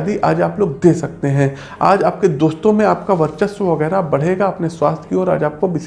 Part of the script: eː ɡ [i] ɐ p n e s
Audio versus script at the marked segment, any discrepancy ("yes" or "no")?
yes